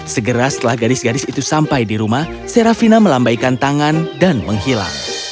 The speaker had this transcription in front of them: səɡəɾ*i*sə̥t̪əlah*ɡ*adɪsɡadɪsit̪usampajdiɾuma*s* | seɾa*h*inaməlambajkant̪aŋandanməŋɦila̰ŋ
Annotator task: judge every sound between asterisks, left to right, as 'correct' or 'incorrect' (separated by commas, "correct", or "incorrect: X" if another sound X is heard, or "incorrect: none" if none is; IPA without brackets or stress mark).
incorrect: a, correct, incorrect: h, incorrect: f